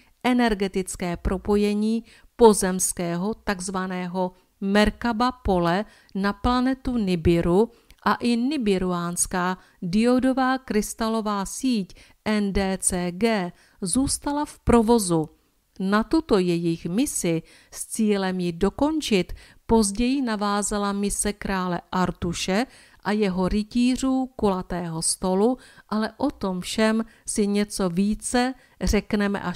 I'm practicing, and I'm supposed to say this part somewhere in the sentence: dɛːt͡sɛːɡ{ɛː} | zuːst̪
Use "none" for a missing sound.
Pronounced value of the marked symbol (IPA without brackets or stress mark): ɛː